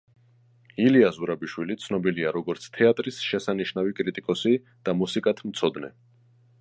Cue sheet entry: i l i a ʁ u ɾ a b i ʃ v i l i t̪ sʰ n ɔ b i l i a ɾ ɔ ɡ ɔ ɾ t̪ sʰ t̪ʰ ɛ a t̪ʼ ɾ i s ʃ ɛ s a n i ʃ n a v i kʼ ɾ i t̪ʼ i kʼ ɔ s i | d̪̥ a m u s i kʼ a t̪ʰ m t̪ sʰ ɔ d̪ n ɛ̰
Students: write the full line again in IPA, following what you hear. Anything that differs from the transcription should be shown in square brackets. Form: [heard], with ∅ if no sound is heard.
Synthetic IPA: i l i a [z] u ɾ a b i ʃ [w] i l i t̪ sʰ n ɔ b i l i a ɾ ɔ ɡ ɔ ɾ t̪ sʰ t̪ʰ ɛ a t̪ʼ ɾ i s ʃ ɛ s a n i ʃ n a v i kʼ ɾ i t̪ʼ i kʼ ɔ s i | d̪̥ a m u s i kʼ a t̪ʰ m t̪ sʰ ɔ d̪ n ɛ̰